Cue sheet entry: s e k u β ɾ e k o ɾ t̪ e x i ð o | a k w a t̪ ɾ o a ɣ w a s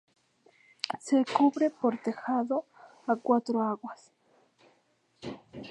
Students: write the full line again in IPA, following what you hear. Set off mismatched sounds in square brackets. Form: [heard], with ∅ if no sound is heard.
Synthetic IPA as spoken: s e k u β ɾ e [p] o ɾ t̪ e x [a] ð o | a k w a t̪ ɾ o a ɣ w a s